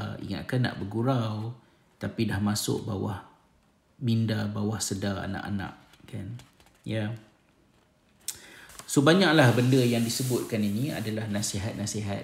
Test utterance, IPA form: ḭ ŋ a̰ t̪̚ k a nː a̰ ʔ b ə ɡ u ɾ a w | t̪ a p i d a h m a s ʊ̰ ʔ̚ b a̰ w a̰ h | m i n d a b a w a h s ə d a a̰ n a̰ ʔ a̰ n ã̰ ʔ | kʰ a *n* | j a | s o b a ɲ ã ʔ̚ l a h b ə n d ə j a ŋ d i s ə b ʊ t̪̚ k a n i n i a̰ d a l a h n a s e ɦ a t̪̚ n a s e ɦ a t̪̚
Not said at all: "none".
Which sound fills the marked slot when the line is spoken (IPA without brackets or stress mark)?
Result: n